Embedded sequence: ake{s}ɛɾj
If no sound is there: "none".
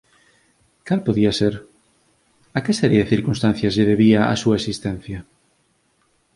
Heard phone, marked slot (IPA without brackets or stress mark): s